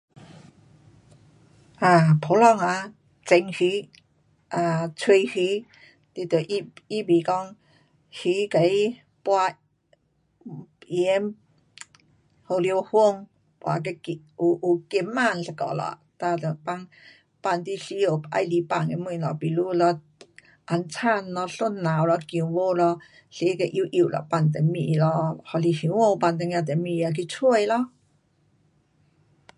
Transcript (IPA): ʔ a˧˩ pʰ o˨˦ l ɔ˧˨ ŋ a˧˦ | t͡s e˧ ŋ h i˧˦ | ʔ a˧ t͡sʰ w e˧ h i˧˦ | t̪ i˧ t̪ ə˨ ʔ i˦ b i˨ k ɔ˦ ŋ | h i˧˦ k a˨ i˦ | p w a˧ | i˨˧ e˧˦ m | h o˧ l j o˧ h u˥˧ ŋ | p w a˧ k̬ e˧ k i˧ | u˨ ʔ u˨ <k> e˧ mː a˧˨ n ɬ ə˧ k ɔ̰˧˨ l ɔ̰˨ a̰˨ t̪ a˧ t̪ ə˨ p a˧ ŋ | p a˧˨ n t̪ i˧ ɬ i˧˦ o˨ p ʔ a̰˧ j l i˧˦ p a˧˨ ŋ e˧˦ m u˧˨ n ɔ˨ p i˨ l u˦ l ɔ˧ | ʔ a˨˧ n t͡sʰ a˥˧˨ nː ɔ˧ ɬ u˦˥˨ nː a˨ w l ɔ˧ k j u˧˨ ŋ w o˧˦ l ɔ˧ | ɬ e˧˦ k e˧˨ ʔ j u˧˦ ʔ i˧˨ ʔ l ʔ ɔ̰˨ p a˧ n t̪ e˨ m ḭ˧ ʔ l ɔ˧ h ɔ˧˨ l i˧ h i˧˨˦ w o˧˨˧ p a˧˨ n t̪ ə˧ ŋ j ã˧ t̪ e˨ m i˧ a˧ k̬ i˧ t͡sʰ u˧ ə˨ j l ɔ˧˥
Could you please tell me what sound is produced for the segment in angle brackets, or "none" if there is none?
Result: k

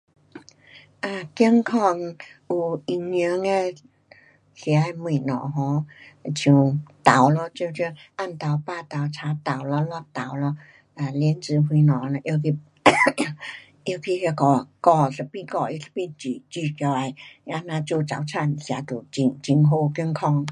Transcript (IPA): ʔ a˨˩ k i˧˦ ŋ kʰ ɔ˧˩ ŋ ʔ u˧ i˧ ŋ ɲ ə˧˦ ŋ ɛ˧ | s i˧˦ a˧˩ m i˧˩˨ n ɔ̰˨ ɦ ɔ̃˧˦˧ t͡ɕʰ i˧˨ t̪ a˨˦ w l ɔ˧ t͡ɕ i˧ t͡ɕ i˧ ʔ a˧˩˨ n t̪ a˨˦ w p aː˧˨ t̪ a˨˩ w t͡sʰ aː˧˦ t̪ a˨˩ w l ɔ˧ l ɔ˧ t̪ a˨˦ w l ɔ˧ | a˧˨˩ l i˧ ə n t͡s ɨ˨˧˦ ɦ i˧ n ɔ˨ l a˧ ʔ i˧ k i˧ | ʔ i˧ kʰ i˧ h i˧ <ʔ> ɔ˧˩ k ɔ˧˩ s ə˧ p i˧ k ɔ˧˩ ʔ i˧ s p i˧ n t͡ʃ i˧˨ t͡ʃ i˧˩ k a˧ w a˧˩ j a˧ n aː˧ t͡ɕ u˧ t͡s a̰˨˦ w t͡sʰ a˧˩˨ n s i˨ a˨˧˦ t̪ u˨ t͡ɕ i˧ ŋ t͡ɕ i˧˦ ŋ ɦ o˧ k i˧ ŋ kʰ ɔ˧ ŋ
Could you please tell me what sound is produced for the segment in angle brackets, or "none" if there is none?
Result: k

